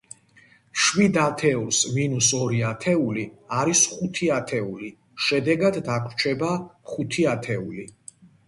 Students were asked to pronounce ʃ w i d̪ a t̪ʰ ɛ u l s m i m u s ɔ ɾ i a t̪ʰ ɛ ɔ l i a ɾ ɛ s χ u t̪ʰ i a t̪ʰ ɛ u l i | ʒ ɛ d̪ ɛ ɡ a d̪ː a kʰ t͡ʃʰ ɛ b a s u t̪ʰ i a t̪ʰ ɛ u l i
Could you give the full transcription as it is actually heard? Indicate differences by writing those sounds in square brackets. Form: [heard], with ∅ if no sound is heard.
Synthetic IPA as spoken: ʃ w i d̪ a t̪ʰ ɛ u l s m i [n] u s ɔ ɾ i a t̪ʰ ɛ [u] l i a ɾ [i] s χ u t̪ʰ i a t̪ʰ ɛ u l i | [ʃ] ɛ d̪ ɛ ɡ a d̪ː a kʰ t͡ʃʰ ɛ b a [χ] u t̪ʰ i a t̪ʰ ɛ u l i